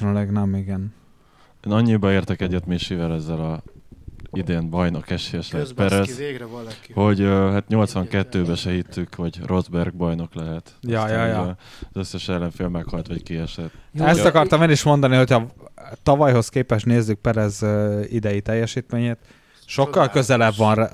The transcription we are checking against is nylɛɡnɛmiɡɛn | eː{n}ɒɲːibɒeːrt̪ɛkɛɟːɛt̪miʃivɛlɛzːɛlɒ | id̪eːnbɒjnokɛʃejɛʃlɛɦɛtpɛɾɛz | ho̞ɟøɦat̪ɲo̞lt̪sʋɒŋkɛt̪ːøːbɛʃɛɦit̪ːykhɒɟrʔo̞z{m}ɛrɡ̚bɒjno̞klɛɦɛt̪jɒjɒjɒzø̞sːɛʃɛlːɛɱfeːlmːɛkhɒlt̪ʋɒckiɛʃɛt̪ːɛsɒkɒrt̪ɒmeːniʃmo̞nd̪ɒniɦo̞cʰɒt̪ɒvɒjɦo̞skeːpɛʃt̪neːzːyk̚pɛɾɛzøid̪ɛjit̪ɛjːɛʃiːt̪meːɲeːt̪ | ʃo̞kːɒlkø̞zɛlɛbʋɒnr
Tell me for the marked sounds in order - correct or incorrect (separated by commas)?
correct, incorrect